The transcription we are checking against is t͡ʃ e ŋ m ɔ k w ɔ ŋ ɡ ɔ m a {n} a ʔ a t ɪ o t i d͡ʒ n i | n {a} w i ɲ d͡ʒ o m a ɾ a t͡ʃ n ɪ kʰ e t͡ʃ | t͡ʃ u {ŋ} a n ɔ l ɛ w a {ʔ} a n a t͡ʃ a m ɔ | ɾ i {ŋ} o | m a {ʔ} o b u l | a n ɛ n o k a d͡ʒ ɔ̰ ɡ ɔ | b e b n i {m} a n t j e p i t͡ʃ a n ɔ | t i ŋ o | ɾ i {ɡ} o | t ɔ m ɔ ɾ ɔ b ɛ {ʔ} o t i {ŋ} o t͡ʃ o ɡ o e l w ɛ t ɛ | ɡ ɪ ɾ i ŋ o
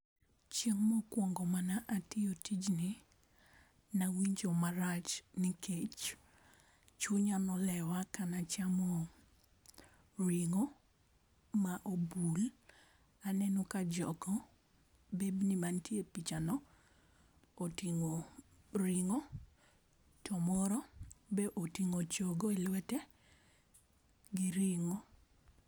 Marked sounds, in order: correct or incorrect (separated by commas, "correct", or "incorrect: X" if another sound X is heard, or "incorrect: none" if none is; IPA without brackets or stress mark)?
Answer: correct, correct, incorrect: ɲ, incorrect: k, correct, correct, correct, incorrect: ŋ, correct, correct